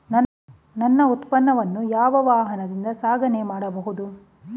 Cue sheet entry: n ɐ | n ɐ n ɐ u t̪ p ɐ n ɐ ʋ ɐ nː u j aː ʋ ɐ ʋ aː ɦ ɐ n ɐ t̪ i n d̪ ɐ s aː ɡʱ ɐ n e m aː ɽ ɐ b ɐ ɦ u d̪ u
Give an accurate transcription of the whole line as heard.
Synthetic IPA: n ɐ | n ɐ nː ɐ u t̪ p ɐ nː ɐ ʋ ɐ nː u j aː ʋ ɐ ʋ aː ɦ ɐ n ɐ d̪ i n d̪ ɐ s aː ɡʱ ɐ n e m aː ɽ ɐ b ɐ ɦ u d̪ u